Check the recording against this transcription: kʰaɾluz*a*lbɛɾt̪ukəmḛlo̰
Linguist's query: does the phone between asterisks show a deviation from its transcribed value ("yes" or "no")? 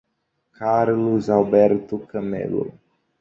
no